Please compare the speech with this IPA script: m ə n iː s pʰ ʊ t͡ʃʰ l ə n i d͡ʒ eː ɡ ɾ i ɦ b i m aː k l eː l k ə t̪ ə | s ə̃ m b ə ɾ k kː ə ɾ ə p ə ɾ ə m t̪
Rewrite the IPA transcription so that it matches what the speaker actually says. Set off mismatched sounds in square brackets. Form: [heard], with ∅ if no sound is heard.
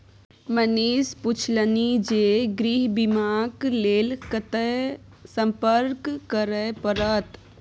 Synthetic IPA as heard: m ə n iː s [p] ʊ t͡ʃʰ l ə n i d͡ʒ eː ɡ ɾ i ɦ b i m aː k l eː l k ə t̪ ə | s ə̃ m [p] ə ɾ k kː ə ɾ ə p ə ɾ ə [∅] t̪